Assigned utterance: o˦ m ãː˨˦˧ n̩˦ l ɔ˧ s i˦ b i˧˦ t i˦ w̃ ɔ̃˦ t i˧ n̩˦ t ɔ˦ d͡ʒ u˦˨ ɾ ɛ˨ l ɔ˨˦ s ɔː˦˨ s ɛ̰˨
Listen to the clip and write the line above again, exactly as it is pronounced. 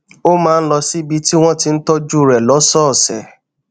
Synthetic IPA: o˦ m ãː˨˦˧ n̩˦ l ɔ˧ s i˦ b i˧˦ t i˦ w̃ ɔ̃˦ t i˧ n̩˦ t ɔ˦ d͡ʒ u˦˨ ɾ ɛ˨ l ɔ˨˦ s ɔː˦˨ s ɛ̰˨

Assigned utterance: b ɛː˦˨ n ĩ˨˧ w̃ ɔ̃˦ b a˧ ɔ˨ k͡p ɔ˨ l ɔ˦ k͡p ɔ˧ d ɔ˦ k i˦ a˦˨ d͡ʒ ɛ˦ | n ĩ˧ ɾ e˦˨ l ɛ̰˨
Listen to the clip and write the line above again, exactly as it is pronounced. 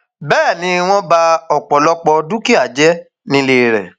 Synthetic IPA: b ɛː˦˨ n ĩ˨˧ w̃ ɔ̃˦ b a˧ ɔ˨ k͡p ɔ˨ l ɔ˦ k͡p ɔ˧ d u˦ k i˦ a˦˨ d͡ʒ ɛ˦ | n ĩ˧ l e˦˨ ɾ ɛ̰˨

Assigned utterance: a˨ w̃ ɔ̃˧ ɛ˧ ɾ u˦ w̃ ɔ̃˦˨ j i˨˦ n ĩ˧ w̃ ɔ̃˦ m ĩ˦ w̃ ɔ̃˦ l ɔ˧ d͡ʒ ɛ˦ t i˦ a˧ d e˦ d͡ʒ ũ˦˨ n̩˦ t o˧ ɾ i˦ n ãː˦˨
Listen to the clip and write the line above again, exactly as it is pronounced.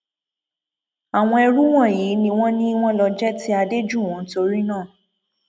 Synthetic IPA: a˨ w̃ ɔ̃˧ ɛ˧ ɾ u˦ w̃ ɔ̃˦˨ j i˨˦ n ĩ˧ w̃ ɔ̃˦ n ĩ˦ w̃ ɔ̃˦ l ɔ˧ d͡ʒ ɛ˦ t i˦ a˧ d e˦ d͡ʒ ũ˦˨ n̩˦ t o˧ ɾ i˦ n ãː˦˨

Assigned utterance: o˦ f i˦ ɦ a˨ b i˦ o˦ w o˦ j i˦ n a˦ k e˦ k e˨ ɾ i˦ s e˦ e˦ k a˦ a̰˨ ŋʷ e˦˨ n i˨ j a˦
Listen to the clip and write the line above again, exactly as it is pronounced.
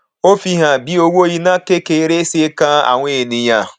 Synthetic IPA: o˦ f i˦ ɦ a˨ b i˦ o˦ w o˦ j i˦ n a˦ k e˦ k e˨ ɾ e˦ s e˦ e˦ k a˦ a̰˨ ŋʷ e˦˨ n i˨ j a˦

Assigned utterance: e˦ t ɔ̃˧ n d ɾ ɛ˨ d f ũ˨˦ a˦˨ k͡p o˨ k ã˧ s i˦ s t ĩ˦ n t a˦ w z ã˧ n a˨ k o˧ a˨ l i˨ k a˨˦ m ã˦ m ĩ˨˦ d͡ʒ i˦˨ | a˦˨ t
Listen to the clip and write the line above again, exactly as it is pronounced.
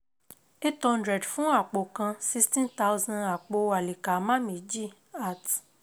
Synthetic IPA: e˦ t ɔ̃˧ n d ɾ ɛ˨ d f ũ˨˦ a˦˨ k͡p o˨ k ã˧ s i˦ s t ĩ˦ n t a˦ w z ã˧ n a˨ k͡p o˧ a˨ l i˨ k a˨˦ m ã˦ m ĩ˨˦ d͡ʒ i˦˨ | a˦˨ t

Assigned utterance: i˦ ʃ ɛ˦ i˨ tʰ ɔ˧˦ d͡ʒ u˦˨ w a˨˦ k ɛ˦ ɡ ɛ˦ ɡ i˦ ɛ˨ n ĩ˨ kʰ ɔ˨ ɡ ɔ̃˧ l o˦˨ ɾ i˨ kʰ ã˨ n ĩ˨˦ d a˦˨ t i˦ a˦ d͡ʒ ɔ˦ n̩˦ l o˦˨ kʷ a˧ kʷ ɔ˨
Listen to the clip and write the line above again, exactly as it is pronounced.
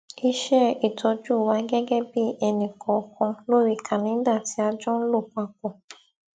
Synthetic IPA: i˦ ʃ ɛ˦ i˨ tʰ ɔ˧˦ d͡ʒ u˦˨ w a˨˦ ɡ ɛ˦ ɡ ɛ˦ b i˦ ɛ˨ n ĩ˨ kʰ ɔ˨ k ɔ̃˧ l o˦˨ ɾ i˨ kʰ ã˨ n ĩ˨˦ d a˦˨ t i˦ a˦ d͡ʒ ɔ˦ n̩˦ l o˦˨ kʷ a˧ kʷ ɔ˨

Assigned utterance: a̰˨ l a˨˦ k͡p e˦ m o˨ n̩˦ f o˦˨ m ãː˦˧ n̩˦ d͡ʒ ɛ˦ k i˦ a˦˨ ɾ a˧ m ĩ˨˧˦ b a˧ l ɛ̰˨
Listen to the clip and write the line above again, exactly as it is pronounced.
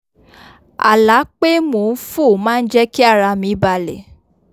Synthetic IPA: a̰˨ l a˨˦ k͡p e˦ m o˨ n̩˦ f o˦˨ m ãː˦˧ n̩˦ d͡ʒ ɛ˦ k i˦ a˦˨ ɾ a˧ m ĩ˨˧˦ b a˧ l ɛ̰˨

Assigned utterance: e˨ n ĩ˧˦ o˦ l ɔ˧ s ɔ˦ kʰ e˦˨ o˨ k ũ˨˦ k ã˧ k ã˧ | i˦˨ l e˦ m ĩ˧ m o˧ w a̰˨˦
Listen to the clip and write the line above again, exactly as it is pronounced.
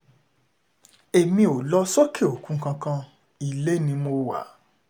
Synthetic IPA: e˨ m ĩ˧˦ o˨ l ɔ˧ s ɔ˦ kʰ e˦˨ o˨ k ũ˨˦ k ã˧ k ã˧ | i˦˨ l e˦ n ĩ˧ m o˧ w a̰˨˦

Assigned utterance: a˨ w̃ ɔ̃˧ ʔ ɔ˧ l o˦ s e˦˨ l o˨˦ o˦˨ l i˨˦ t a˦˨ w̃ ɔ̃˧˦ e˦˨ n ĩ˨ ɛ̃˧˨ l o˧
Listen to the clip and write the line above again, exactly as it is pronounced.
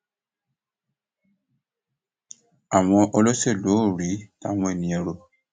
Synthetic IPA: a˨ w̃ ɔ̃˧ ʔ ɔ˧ l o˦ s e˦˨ l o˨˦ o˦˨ ɾ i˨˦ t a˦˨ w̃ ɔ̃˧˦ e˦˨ n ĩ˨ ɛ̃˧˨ ɾ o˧

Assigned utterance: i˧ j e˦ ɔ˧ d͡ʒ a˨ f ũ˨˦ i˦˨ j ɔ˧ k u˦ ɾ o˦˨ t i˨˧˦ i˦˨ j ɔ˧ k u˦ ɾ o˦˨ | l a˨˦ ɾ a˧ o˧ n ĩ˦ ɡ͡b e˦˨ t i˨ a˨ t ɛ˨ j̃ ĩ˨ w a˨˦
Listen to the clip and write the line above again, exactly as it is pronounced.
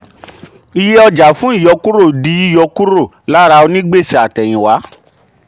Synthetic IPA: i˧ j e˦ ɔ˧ d͡ʒ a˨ f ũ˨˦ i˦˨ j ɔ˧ k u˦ ɾ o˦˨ d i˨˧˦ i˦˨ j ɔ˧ k u˦ ɾ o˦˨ | l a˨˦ ɾ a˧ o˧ n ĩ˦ ɡ͡b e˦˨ s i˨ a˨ t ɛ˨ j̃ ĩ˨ w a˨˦

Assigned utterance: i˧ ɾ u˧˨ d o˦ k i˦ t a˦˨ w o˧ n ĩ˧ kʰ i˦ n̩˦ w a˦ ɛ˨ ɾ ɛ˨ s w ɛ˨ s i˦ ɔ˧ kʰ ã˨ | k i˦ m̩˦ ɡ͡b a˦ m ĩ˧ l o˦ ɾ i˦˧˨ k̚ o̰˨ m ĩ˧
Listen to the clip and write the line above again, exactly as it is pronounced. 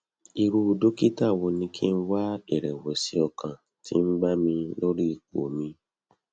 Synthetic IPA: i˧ ɾ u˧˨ d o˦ k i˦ t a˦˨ w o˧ n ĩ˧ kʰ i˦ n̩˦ w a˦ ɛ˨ ɾ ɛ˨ w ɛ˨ s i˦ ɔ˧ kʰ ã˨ | t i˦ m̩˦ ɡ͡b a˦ m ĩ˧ l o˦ ɾ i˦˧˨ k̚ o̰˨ m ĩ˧

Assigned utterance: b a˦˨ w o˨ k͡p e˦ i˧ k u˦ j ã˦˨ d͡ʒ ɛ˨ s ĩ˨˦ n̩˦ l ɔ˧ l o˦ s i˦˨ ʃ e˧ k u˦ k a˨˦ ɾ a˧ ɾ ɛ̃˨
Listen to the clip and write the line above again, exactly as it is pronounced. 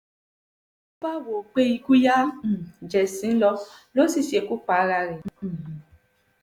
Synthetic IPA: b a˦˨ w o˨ k͡p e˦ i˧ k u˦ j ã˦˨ d͡ʒ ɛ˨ s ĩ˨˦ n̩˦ l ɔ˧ l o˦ s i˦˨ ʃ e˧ k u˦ k͡p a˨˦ ɾ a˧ ɾ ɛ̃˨

